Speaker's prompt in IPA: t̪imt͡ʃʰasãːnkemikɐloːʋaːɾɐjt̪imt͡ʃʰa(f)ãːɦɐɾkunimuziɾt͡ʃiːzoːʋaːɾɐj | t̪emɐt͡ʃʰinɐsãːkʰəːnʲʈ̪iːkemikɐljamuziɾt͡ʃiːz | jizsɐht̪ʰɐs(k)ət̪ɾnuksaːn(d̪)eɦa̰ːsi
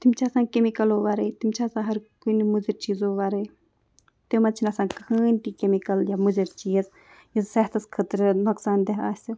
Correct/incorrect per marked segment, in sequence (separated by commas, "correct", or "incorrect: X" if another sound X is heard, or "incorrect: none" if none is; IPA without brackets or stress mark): incorrect: s, incorrect: kʰ, correct